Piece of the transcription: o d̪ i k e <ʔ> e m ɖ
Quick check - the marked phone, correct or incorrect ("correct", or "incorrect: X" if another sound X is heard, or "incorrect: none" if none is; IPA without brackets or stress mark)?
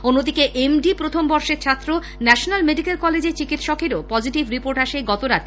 correct